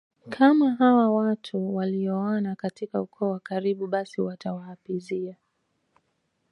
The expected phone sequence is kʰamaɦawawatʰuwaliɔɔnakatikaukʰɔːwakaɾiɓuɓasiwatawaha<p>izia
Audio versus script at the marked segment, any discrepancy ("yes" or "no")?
no